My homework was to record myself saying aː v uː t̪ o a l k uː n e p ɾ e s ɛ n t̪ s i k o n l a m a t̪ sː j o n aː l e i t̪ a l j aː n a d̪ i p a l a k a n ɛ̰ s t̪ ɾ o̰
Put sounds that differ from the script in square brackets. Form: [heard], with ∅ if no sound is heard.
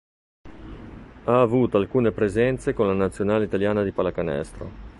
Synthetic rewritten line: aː v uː t̪ o a l k uː n e p ɾ e [z] ɛ n t̪ s [e] k o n l a [n] a t̪ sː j o n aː l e i t̪ a l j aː n a d̪ i p a l a k a n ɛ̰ s t̪ ɾ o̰